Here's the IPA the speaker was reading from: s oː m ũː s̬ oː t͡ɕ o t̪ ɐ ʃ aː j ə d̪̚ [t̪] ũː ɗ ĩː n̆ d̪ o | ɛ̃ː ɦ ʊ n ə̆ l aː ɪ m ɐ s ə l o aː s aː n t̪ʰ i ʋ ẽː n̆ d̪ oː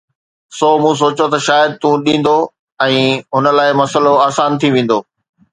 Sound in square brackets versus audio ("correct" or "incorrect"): correct